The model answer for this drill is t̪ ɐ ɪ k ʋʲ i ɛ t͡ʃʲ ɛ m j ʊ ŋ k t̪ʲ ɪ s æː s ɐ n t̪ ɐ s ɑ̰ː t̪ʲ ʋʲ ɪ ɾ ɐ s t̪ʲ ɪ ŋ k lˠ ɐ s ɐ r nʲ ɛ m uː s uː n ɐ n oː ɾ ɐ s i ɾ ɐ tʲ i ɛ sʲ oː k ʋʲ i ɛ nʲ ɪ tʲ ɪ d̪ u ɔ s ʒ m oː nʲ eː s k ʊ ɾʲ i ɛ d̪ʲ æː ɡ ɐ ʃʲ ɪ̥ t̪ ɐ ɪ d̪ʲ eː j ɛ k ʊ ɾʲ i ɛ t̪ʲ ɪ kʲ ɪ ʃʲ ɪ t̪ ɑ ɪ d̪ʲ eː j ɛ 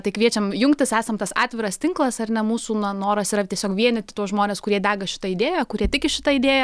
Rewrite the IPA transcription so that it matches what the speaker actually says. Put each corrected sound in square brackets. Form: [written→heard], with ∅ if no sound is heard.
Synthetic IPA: t̪ ɐ ɪ k ʋʲ i ɛ t͡ʃʲ ɛ m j ʊ ŋ k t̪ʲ ɪ s æː s ɐ [n→m] t̪ ɐ s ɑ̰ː t̪ʲ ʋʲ ɪ ɾ ɐ s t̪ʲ ɪ ŋ k lˠ ɐ s ɐ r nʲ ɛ m uː s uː n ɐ n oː ɾ ɐ s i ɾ ɐ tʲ i ɛ sʲ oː k ʋʲ i ɛ nʲ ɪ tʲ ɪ [d̪→t̪] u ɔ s ʒ m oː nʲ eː s k ʊ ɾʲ i ɛ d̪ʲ æː ɡ ɐ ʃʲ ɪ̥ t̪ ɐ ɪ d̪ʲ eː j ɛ k ʊ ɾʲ i ɛ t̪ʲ ɪ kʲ ɪ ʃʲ ɪ t̪ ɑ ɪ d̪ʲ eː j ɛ